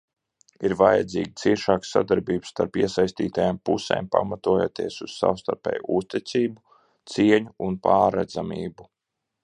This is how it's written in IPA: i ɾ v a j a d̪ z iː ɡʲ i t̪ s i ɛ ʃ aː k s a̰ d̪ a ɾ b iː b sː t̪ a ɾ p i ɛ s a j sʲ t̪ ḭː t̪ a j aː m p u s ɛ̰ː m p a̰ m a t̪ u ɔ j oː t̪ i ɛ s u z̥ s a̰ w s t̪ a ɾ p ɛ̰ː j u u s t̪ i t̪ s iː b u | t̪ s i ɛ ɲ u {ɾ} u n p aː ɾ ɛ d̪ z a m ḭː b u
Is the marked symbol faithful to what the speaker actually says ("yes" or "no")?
no